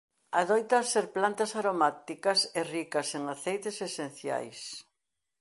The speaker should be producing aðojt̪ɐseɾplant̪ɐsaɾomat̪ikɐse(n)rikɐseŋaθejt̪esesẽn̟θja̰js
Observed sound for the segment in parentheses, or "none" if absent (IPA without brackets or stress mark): none